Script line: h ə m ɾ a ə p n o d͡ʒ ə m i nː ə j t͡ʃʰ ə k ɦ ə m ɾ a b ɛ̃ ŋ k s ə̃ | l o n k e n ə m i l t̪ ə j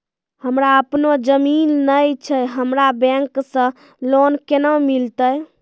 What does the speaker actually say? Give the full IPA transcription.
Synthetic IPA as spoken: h ə m ɾ a ə p n o d͡ʒ ə m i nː ə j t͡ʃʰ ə ɦ ə m ɾ a b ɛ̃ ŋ k s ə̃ | l o n k e n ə m i l t̪ ə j

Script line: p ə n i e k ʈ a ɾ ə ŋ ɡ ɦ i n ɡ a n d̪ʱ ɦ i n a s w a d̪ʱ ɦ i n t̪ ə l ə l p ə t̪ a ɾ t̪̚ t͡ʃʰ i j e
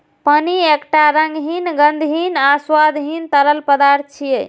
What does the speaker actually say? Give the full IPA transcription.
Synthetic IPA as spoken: p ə n i e k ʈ a ɾ ə ŋ ɡ ɦ i n ɡ ə n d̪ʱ ɦ i n a s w a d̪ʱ ɦ i n t̪ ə l ə l p ə d̪ a ɾ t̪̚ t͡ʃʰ i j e

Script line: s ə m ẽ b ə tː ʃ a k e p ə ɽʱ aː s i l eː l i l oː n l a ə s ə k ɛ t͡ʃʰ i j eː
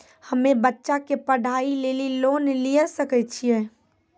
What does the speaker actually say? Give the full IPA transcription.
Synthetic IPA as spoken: h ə m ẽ b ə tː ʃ a k e p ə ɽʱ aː i l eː l i l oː n l i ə s ə k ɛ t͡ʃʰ i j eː

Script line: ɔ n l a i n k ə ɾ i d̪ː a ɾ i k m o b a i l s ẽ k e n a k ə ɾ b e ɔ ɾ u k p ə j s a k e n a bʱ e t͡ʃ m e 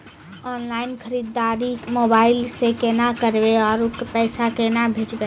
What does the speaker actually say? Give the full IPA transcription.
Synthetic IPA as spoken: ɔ n l a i n kʰ ə ɾ i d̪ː a ɾ i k m o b a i l s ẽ k e n a k ə ɾ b e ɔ ɾ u k p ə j s a k e n a bʱ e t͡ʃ b e

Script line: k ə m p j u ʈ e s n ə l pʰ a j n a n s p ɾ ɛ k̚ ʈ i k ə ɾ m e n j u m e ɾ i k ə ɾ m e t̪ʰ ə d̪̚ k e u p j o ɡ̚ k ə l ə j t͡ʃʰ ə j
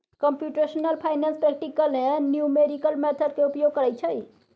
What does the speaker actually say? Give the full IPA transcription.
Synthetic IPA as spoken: k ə m p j u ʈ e s n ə l pʰ a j n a n s p ɾ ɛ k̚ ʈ i k ə l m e n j u m e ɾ i k ə l m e t̪ʰ ə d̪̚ k e u p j o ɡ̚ k ə ɾ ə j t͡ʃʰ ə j

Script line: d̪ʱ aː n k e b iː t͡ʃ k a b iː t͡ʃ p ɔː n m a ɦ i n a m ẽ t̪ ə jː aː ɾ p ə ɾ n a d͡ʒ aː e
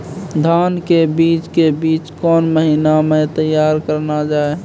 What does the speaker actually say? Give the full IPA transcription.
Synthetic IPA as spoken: d̪ʱ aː n k e b iː t͡ʃ k e b iː t͡ʃ k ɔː n m ə ɦ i n a m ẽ t̪ ə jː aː ɾ k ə ɾ n a d͡ʒ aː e

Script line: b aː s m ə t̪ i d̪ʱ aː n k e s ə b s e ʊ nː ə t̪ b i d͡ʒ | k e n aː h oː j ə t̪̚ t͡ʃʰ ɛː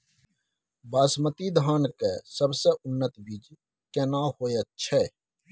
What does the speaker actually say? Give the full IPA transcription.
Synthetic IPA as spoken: b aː s m ə t̪ i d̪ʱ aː n k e s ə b s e ʊ nː ə t̪ b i d͡ʒ | k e n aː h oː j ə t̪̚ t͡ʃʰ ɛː

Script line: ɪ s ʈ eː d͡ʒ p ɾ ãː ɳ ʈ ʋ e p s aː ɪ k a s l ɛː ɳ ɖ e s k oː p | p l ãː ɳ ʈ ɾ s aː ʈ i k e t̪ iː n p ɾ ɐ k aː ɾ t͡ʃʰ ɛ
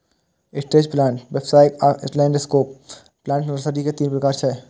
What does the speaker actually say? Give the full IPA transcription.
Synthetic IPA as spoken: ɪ s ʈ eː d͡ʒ p l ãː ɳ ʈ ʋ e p s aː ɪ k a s l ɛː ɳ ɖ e s k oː p | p l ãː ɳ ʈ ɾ s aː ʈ i k e t̪ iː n p ɾ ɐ k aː ɾ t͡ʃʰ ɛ

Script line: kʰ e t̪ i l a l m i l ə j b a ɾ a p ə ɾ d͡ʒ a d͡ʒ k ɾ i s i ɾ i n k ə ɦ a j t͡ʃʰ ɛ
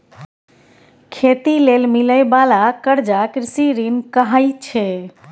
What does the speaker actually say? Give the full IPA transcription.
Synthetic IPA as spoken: kʰ e t̪ i l e l m i l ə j b a l a k ə ɾ d͡ʒ a k ɾ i s i ɾ i n k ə ɦ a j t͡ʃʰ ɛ

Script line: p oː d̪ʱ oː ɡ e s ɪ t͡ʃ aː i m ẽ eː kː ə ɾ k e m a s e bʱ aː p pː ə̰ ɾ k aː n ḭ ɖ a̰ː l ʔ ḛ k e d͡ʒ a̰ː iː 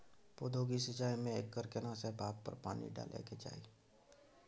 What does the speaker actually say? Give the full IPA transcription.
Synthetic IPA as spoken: p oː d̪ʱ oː ɡ i s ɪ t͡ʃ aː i m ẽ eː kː ə ɾ k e n a s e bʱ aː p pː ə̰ ɾ p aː n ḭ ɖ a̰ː l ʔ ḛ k e d͡ʒ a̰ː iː

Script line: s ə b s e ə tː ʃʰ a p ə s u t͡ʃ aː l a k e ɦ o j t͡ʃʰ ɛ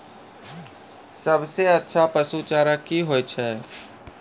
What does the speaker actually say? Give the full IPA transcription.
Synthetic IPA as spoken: s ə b s e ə tː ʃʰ a p ə s u t͡ʃ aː ɾ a k i ɦ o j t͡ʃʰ ɛ

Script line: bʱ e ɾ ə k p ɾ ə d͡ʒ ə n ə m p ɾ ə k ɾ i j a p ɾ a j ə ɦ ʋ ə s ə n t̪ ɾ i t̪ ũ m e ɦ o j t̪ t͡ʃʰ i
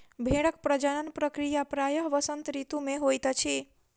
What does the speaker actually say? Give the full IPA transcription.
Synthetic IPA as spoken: bʱ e ɽ ə k p ɾ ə d͡ʒ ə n ə n p ɾ ə k ɾ i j a p ɾ a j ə ɦ ʋ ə s ə n t̪ ɾ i t̪ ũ m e ɦ o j t̪ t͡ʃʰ i

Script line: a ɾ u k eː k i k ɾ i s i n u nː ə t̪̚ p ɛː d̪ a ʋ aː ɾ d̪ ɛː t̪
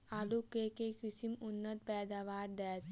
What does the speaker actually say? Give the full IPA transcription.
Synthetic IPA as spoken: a l u k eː k e k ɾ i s i m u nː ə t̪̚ p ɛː d̪ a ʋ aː ɾ d̪ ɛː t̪

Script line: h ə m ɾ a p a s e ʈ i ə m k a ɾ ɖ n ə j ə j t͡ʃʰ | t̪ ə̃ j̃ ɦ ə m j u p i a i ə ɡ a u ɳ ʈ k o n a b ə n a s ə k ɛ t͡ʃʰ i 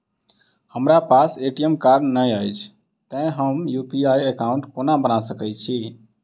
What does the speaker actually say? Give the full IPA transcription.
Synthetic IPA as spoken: h ə m ɾ a p a s e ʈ i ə m k a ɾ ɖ n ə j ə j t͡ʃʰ | t̪ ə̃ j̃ ɦ ə m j u p i a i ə k a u ɳ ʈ k o n a b ə n a s ə k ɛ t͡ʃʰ i

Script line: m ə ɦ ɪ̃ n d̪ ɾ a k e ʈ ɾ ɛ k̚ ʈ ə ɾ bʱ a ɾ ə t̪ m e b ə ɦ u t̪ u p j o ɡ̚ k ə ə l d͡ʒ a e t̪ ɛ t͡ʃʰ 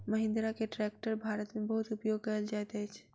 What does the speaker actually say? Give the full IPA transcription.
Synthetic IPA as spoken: m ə ɦ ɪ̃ n d̪ ɾ a k e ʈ ɾ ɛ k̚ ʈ ə ɾ bʱ a ɾ ə t̪ m e b ə ɦ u t̪ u p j o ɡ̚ k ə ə l d͡ʒ a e t̪ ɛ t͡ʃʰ

